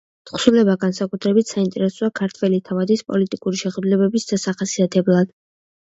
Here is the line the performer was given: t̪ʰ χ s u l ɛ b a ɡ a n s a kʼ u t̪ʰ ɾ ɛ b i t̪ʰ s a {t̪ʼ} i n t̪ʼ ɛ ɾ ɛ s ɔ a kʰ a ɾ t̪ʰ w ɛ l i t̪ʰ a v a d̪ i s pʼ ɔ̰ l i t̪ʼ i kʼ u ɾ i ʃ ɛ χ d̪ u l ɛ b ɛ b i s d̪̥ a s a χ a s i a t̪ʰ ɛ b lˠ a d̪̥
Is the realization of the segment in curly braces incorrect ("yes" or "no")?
yes